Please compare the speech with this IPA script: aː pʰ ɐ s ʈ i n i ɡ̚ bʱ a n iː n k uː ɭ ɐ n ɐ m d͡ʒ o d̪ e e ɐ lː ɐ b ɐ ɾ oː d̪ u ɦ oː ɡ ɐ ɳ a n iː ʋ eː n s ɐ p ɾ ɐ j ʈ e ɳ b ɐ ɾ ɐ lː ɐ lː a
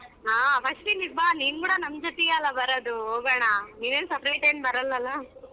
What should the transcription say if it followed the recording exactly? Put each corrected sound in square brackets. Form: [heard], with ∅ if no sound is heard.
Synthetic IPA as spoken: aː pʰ ɐ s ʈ i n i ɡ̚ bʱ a n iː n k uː [ɽ] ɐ n ɐ m d͡ʒ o [t̪] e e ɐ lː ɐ b ɐ ɾ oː d̪ u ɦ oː ɡ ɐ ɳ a n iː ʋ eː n s ɐ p ɾ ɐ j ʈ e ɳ b ɐ ɾ ɐ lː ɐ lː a